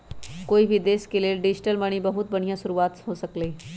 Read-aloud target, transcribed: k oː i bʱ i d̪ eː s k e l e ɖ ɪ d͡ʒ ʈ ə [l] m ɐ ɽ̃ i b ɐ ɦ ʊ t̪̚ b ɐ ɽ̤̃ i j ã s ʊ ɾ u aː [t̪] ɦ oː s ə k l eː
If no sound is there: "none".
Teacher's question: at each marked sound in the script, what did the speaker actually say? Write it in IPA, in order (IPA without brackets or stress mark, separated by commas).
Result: l, t̪